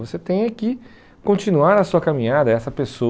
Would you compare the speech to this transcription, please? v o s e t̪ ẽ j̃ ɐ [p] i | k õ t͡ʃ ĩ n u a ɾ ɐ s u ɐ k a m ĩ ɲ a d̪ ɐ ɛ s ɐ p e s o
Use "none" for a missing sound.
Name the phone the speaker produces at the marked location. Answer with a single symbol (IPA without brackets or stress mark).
k